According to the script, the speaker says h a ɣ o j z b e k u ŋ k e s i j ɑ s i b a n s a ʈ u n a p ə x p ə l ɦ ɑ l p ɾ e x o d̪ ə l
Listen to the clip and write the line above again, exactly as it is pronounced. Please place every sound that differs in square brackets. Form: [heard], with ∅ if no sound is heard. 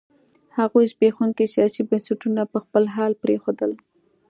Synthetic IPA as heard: h a ɣ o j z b e [x] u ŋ k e s i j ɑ s i b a n s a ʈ u n a p ə x p ə l ɦ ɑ l p ɾ e x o d̪ ə l